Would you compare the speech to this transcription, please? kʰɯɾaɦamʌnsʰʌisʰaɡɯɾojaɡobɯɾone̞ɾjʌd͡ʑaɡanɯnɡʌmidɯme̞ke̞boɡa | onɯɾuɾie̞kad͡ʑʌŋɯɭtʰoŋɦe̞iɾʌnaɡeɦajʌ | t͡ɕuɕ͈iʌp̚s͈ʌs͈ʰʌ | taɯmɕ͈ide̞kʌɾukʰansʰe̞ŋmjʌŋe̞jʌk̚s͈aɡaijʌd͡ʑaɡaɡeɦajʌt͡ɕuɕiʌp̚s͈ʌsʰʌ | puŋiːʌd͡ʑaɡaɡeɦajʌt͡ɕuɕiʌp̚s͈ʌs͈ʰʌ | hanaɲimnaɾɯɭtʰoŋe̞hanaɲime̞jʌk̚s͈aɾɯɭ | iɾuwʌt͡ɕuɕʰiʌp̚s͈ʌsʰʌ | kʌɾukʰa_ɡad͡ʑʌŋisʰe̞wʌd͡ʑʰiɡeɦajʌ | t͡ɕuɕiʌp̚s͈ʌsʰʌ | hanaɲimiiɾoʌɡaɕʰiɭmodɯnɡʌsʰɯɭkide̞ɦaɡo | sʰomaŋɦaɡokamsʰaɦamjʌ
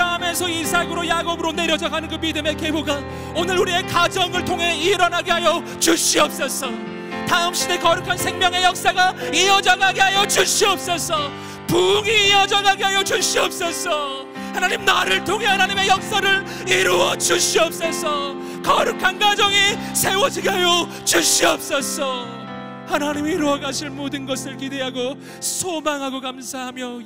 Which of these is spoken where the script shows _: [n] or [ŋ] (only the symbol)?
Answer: n